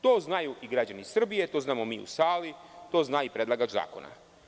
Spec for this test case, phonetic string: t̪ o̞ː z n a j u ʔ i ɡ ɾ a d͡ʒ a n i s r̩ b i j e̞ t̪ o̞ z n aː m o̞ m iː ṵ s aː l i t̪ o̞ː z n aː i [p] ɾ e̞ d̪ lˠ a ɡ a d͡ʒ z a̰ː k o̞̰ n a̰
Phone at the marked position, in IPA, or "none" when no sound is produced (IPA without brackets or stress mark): p